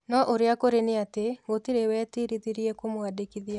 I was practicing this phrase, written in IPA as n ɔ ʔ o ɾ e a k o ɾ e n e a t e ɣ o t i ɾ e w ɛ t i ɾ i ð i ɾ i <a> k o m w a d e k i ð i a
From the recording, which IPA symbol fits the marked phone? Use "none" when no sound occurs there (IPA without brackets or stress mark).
ɛ